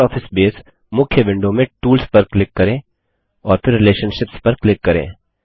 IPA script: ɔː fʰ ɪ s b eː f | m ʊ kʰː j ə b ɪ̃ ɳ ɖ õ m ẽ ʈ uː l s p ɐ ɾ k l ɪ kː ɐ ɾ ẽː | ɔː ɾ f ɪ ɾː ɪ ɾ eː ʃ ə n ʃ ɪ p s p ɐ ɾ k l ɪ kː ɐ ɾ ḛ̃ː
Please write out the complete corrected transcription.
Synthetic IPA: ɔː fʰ ɪ s b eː s | m ʊ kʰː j ə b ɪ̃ ɳ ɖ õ m ẽ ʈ uː l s p ɐ ɾ k l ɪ kː ɐ ɾ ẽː | ɔː ɾ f ɪ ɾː ɪ l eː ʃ ə n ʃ ɪ p s p ɐ ɾ k l ɪ kː ɐ ɾ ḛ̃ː

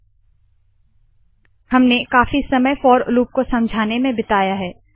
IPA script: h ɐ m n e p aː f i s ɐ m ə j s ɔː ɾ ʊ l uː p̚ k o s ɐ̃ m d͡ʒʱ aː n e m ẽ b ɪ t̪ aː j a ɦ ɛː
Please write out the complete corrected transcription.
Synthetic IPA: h ɐ m n e k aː f i s ɐ m ə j f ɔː ɾ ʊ l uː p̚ k o s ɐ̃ m d͡ʒʱ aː n e m ẽ b ɪ t̪ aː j a ɦ ɛː

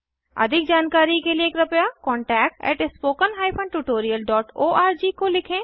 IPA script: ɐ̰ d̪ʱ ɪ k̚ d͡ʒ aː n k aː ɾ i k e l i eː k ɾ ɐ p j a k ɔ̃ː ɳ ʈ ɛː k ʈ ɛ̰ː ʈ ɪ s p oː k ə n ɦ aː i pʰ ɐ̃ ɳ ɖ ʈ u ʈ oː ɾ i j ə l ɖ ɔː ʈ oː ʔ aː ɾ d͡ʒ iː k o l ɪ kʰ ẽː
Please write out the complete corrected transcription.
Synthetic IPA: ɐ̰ d̪ʱ ɪ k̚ d͡ʒ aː n k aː ɾ i k e l i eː k ɾ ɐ p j a k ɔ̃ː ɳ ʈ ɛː k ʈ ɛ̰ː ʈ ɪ s p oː k ə n ɦ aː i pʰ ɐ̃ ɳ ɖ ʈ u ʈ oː ɾ i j ə l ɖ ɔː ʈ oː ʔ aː ɾ d͡ʒ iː k o l ɪ kʰ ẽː

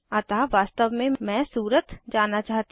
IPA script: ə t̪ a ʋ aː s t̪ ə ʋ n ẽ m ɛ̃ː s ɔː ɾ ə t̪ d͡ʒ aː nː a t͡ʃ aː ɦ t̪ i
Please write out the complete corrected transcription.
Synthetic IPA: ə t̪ a ʋ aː s t̪ ə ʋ m ẽ m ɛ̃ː s uː ɾ ə t̪ d͡ʒ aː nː a t͡ʃ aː ɦ t̪ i

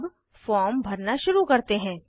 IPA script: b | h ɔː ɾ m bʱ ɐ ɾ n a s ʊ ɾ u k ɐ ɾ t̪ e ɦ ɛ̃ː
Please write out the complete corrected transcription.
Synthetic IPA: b | f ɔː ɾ m bʱ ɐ ɾ n a ʃ ʊ ɾ u k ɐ ɾ t̪ e ɦ ɛ̃ː

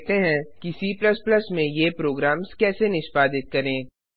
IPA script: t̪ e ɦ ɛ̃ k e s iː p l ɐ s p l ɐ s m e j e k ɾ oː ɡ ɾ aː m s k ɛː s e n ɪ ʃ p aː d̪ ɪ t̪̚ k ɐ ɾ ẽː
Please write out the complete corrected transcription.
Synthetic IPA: t̪ e ɦ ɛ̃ k i s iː p l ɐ s p l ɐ s m ẽ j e p ɾ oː ɡ ɾ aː m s k ɛː s e n ɪ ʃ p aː d̪ ɪ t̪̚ k ɐ ɾ ẽː

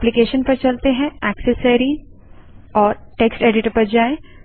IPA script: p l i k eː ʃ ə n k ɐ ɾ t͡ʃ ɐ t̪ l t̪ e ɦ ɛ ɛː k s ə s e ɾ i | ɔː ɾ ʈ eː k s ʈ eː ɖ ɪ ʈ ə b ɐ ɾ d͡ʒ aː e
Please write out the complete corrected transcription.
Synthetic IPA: p l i k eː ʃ ə n p ɐ ɾ t͡ʃ ɐ l t̪ e ɦ ɛ̃ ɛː k s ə s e ɾ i | ɔː ɾ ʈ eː k s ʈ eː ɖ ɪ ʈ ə p ɐ ɾ d͡ʒ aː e

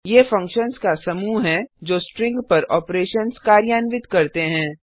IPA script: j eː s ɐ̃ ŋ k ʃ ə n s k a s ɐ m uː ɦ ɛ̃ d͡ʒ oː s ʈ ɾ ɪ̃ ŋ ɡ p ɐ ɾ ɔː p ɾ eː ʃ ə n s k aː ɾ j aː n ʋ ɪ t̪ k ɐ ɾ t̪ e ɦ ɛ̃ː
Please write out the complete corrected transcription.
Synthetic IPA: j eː f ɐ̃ ŋ k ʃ ə n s k a s ɐ m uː ɦ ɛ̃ d͡ʒ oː s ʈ ɾ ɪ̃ ŋ ɡ p ɐ ɾ ɔː p ɾ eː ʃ ə n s k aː ɾ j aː n ʋ ɪ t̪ k ɐ ɾ t̪ e ɦ ɛ̃ː

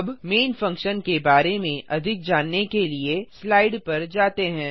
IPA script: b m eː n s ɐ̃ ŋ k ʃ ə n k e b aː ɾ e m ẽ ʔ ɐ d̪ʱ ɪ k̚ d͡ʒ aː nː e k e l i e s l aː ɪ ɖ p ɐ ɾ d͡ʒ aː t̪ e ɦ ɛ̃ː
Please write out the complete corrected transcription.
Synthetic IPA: b m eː n f ɐ̃ ŋ k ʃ ə n k e b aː ɾ e m ẽ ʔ ɐ d̪ʱ ɪ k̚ d͡ʒ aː nː e k e l i e s l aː ɪ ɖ p ɐ ɾ d͡ʒ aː t̪ e ɦ ɛ̃ː

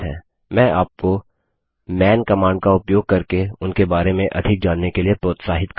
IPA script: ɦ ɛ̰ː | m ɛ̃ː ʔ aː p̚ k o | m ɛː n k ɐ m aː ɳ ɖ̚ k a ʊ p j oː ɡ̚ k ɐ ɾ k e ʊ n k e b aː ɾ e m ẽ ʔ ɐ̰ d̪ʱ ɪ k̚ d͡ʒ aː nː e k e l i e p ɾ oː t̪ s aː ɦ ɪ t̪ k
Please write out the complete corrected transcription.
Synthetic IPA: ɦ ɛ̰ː | m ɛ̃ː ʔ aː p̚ k o | m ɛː n k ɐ m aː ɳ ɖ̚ k a ʊ p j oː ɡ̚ k ɐ ɾ k e ʊ n k e b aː ɾ e m ẽ ʔ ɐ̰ d̪ʱ ɪ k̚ d͡ʒ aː nː e k e l i e p ɾ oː t̪ s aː ɦ ɪ t̪ k

